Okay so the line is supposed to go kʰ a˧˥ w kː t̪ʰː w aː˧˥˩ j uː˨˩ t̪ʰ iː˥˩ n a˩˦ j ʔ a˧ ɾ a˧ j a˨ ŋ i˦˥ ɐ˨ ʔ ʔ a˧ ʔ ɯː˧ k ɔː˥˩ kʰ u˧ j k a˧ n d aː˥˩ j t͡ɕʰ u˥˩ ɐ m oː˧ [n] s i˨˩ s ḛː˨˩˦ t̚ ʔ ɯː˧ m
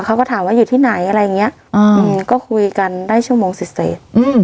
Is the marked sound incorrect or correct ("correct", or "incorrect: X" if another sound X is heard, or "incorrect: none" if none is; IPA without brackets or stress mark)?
incorrect: ŋ